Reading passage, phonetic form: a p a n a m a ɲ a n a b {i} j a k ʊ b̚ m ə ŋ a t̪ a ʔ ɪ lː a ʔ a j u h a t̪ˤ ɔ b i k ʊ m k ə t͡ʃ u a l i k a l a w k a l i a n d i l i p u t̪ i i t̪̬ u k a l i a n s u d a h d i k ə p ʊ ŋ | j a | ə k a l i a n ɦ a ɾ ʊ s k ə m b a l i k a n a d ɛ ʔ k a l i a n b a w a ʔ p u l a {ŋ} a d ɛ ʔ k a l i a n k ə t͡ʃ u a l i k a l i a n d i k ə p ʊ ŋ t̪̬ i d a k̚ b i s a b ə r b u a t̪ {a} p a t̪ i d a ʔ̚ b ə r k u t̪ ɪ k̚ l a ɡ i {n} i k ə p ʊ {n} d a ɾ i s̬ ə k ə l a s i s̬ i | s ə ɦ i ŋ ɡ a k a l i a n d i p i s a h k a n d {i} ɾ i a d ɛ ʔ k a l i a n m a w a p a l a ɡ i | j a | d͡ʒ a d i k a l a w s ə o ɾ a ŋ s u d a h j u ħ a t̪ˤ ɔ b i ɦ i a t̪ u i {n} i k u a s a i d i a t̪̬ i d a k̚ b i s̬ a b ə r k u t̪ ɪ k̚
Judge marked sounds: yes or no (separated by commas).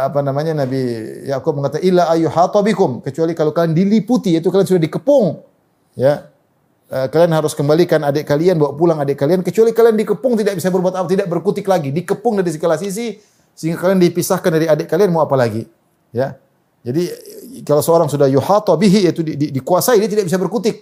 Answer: yes, yes, yes, no, no, no, no